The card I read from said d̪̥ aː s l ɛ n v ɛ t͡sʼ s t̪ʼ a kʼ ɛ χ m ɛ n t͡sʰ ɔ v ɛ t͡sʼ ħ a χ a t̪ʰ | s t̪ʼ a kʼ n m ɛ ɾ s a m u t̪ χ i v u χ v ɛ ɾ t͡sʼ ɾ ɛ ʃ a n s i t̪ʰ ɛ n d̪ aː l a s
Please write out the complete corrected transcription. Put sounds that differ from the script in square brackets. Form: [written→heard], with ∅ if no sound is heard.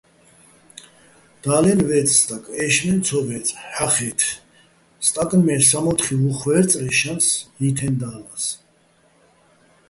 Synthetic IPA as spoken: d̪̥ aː [s→∅] l ɛ n v ɛ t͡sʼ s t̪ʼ a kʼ ɛ [χ→ʃ] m ɛ n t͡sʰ ɔ v ɛ t͡sʼ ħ a χ [a→ɛ] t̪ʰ | s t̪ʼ a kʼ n m ɛ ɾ s a m [u→ɔ] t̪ χ i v u χ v ɛ ɾ t͡sʼ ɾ ɛ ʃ a n s i t̪ʰ ɛ n d̪ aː l a s